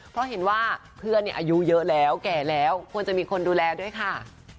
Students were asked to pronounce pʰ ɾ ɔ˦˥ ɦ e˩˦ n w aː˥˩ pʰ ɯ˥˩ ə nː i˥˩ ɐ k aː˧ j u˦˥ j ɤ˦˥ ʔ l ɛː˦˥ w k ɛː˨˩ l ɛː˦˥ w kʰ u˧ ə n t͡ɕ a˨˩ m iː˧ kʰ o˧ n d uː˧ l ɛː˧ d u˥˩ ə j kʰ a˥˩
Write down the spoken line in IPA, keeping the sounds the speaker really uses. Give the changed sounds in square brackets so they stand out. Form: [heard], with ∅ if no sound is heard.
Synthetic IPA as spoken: pʰ ɾ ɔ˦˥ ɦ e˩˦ n w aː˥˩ pʰ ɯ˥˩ ə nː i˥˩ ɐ [ʔ] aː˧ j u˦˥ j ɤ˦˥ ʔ l ɛː˦˥ w k ɛː˨˩ l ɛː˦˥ w kʰ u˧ ə n t͡ɕ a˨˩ m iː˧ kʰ o˧ n d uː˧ l ɛː˧ d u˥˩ ə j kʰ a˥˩

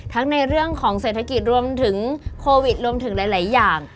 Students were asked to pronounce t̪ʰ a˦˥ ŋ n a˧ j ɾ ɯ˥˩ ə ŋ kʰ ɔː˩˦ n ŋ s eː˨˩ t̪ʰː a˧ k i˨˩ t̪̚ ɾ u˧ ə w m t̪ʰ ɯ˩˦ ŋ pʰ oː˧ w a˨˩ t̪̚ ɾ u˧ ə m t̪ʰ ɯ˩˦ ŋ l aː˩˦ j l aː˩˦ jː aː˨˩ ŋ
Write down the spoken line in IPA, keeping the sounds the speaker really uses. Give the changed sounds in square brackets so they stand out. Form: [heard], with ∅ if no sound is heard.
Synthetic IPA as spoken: t̪ʰ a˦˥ ŋ n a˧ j ɾ ɯ˥˩ ə ŋ kʰ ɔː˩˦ [∅] ŋ s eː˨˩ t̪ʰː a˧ k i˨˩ t̪̚ ɾ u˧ ə [∅] m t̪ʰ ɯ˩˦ ŋ [kʰ] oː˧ w [i˨˩] t̪̚ ɾ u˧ ə m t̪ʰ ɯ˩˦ ŋ l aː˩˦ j l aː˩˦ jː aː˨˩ ŋ

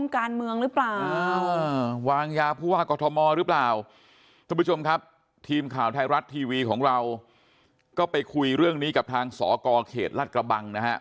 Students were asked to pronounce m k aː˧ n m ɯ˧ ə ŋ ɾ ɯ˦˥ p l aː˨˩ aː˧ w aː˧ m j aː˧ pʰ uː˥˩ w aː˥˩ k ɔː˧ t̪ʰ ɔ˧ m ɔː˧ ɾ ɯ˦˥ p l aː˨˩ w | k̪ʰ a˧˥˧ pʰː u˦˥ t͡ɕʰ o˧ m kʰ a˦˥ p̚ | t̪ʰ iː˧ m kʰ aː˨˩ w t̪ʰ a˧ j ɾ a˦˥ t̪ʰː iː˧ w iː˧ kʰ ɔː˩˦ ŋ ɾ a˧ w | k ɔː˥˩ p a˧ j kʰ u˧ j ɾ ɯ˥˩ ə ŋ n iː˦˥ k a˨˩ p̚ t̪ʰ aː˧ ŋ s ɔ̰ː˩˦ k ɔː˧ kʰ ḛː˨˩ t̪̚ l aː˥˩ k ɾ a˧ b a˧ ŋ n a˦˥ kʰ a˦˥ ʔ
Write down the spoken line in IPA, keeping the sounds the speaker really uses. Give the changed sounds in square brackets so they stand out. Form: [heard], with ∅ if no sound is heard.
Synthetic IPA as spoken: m k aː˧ n m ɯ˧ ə ŋ ɾ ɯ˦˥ p l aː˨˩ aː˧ w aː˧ [ŋ] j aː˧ pʰ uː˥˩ w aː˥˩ k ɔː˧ t̪ʰ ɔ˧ m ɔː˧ ɾ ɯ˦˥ p l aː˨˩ w | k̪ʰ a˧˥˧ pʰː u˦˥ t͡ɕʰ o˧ m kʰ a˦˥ p̚ | t̪ʰ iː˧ m kʰ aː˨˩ w t̪ʰ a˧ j ɾ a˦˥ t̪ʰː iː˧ w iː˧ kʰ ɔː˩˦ ŋ ɾ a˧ w | k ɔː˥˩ p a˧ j kʰ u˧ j ɾ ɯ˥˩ ə ŋ n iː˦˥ k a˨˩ p̚ t̪ʰ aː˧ ŋ s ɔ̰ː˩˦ k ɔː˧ kʰ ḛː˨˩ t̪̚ l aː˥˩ k ɾ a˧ b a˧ ŋ n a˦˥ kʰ a˦˥ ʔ

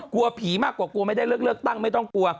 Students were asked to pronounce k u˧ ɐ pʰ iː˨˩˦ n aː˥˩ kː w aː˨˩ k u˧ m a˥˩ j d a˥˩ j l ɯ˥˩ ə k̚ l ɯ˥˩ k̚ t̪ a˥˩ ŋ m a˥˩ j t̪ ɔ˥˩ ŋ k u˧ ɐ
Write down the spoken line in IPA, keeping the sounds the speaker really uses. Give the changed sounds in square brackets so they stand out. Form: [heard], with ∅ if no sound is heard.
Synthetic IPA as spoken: k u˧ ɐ pʰ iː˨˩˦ [m] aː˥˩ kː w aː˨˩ k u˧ m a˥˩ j d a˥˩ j l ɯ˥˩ ə k̚ l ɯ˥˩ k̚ t̪ a˥˩ ŋ m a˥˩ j t̪ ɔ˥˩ ŋ k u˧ ɐ

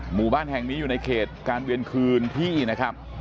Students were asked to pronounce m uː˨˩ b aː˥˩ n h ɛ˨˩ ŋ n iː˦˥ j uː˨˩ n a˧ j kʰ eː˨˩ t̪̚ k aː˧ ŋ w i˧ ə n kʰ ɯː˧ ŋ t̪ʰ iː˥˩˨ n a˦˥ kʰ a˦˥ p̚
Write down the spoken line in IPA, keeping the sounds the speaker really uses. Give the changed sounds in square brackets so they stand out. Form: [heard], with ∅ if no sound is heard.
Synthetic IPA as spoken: m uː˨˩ b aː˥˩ n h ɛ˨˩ ŋ n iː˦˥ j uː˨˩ n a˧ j kʰ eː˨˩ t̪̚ k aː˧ [n] w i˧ ə n kʰ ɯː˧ [n] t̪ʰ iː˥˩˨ n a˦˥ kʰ a˦˥ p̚

